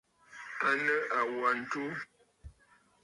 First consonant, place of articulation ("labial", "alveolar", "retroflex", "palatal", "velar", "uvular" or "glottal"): alveolar